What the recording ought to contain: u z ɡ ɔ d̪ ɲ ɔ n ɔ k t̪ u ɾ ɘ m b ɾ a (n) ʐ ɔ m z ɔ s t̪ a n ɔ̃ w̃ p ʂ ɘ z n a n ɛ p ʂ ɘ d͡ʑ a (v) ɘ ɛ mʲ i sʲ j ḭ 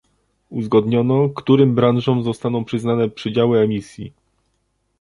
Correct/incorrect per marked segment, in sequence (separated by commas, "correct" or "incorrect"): correct, incorrect